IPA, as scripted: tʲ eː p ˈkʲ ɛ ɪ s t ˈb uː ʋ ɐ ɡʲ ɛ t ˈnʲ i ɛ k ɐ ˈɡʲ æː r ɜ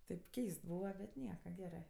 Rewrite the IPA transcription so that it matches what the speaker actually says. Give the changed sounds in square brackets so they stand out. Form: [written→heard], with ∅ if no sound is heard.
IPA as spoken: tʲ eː p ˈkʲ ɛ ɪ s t ˈb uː ʋ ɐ [ɡʲ→bʲ] ɛ t ˈnʲ i ɛ k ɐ ˈɡʲ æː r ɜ